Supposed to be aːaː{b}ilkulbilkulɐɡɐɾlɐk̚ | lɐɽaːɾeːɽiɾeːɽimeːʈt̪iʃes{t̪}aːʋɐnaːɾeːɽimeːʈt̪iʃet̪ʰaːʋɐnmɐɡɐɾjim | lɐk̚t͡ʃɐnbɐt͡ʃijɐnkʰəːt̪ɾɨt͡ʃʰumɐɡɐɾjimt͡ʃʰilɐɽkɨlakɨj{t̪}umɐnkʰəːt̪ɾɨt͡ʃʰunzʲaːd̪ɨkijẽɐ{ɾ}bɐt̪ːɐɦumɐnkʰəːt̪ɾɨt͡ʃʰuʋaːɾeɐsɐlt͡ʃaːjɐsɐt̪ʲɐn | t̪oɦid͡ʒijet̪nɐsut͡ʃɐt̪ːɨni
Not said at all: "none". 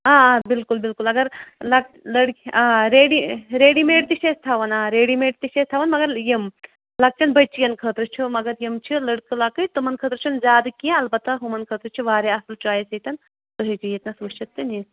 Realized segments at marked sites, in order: b, t̪ʰ, t̪, l

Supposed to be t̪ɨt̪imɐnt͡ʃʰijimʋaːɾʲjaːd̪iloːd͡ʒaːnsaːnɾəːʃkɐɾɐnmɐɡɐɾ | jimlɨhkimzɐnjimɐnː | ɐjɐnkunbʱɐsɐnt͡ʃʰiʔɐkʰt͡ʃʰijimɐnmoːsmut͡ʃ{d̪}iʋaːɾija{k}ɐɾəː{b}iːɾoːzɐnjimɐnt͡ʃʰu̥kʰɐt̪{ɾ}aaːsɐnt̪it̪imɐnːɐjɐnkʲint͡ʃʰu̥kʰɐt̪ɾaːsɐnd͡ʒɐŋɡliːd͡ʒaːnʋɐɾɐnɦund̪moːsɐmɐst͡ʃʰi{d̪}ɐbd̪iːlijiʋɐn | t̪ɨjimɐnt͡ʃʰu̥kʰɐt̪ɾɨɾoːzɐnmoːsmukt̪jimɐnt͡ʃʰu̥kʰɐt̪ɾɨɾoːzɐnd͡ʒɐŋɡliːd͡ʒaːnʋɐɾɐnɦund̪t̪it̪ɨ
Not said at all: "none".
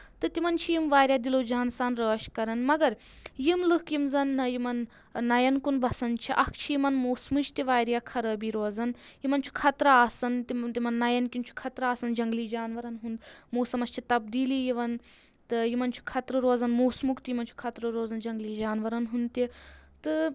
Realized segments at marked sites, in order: t̪, kʰ, b, ɾ, t̪

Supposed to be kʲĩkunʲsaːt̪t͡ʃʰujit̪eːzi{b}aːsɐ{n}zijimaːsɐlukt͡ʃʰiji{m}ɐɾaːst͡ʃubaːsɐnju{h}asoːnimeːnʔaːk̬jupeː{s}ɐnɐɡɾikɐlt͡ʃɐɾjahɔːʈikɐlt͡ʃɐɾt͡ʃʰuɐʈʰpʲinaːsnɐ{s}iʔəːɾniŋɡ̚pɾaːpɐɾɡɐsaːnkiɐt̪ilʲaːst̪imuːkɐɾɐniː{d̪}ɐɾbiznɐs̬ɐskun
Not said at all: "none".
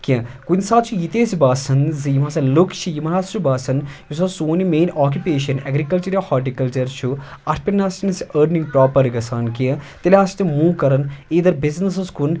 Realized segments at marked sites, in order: b, n, m, s, ʃ, s, d̪

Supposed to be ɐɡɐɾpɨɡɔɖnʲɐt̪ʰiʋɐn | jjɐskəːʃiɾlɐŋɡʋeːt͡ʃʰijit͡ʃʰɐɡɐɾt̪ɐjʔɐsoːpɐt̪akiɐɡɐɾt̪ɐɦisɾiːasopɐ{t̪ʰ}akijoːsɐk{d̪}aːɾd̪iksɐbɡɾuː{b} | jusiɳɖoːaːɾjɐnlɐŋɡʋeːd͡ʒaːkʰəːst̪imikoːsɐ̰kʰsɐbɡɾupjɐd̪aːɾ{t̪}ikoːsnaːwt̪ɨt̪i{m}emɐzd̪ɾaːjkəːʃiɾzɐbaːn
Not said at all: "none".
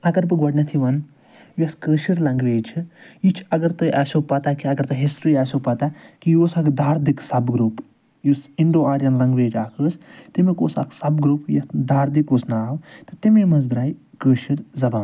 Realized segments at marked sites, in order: t̪, d̪, p, d̪, m

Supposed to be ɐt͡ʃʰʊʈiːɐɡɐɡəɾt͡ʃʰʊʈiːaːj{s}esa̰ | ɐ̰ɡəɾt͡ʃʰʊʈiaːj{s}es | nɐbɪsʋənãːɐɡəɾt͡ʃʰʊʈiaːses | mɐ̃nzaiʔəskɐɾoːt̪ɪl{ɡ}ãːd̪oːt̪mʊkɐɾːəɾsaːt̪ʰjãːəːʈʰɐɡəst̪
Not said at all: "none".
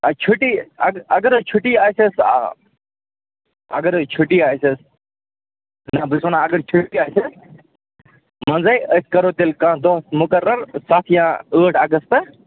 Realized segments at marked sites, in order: s, s, k

